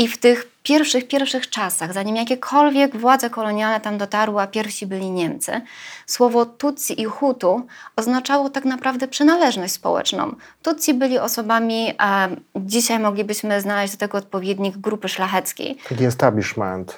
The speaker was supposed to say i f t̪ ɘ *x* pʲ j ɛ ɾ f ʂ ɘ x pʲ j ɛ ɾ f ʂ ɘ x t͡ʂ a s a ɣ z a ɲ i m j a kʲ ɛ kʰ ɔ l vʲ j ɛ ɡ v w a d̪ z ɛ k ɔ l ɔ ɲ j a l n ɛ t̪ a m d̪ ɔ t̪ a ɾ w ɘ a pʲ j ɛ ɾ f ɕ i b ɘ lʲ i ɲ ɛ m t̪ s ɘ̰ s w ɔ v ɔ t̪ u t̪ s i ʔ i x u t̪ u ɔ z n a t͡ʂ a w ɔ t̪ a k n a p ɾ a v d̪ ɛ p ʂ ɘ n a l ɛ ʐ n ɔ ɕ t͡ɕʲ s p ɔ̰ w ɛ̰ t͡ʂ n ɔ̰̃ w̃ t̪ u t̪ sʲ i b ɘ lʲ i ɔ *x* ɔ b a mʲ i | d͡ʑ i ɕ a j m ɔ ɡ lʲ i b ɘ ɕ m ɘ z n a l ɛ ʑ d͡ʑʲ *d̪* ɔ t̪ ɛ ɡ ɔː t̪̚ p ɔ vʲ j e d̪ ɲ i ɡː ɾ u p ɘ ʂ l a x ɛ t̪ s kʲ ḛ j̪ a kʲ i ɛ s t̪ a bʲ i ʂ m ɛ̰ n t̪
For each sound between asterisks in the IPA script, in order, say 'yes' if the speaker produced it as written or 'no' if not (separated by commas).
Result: yes, no, yes